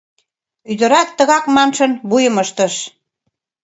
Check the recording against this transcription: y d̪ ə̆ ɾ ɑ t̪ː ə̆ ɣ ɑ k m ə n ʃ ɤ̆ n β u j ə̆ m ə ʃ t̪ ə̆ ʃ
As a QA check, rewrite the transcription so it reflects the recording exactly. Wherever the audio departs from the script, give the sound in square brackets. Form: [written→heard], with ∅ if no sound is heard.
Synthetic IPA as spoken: y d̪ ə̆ ɾ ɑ t̪ː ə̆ ɣ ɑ k m [ə→ɑ] n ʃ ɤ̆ n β u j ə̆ m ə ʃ t̪ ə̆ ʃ